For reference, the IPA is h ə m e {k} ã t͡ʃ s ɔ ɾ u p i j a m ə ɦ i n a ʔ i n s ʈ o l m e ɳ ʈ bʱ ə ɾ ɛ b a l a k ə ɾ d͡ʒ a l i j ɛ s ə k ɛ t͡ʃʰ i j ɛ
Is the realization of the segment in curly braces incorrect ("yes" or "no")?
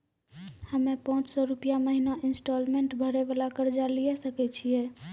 yes